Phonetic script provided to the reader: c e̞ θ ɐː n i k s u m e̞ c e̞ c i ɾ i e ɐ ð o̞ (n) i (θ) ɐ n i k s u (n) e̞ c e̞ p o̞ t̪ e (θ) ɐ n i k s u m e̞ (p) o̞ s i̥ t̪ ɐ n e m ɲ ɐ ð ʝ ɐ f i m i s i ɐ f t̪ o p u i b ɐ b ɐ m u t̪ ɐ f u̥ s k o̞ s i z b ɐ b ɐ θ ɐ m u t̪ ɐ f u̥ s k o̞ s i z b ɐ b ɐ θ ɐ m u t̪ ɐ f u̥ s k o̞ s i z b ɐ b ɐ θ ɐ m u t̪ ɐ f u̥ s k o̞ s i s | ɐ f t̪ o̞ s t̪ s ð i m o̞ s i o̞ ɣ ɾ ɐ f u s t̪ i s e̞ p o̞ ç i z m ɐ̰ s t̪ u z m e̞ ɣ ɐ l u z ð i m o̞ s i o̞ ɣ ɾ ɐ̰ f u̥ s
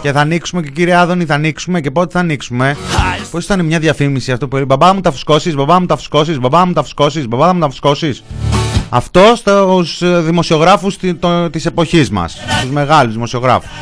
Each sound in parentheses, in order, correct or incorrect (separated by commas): correct, correct, incorrect, correct, correct